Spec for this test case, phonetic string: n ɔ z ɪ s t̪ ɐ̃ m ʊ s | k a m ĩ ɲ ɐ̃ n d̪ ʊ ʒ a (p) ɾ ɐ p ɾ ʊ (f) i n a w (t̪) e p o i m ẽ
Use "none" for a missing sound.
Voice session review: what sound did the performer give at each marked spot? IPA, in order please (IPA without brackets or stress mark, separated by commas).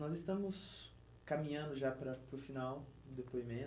p, f, d̪